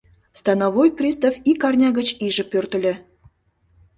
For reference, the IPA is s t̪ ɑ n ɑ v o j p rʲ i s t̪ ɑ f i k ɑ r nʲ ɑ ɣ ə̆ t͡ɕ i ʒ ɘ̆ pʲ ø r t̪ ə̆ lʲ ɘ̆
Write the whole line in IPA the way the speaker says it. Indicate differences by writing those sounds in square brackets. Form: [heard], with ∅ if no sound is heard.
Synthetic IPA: s t̪ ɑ n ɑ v o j p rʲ i s t̪ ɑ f i k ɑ r nʲ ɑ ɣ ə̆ t͡ɕ i ʒ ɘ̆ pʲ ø r t̪ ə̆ lʲ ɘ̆